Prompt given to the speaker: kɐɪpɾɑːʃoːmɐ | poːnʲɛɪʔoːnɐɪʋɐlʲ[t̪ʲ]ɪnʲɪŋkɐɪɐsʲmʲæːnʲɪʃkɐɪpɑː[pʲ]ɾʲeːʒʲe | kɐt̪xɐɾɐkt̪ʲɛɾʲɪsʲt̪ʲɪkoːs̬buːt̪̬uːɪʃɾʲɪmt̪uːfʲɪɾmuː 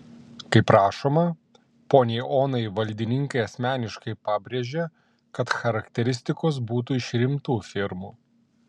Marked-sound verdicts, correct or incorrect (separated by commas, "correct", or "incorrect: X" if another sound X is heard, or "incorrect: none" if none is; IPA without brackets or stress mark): incorrect: d̪ʲ, incorrect: bʲ